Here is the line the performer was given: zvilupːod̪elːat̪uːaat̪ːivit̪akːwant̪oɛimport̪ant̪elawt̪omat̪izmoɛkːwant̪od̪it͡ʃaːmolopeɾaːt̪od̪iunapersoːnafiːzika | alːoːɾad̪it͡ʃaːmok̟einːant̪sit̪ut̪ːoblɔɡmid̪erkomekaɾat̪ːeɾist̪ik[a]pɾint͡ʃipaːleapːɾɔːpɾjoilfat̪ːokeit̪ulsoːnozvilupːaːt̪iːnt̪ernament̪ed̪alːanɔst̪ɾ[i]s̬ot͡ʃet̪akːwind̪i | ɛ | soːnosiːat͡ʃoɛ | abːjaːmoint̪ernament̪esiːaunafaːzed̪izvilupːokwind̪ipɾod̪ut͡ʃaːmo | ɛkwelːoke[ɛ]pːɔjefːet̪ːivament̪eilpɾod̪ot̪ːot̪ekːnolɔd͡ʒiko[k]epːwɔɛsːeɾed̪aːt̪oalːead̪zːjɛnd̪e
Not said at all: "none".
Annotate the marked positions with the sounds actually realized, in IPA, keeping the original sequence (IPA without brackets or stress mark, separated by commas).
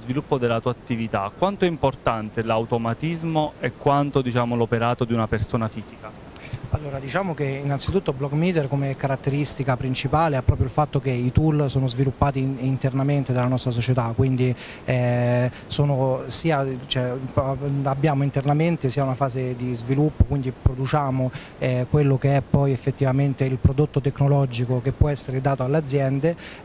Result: a, a, ɛ, k